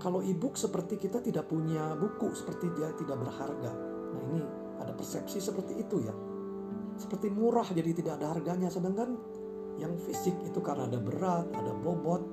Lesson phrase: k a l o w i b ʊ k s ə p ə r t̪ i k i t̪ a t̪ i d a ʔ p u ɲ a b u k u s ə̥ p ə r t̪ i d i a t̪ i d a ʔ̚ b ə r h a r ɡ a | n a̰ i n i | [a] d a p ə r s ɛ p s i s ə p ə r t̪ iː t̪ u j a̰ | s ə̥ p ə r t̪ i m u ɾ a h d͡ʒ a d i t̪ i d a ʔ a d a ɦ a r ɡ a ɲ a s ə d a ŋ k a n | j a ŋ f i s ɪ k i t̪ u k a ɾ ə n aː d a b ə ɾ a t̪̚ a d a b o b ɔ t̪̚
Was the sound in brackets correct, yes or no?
yes